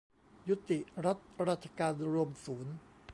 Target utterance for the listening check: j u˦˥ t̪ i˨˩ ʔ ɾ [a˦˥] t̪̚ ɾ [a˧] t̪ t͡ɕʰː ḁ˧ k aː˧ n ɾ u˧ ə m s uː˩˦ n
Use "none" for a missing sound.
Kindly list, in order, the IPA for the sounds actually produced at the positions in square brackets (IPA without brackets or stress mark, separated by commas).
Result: a˦˥, a˦˥